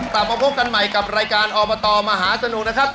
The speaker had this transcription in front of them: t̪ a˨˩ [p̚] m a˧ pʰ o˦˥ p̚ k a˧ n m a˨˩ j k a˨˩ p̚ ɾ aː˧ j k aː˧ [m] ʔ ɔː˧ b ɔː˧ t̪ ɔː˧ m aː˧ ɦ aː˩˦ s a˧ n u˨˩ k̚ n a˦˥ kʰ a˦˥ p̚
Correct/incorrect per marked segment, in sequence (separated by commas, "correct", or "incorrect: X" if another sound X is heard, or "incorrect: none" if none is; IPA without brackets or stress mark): correct, incorrect: n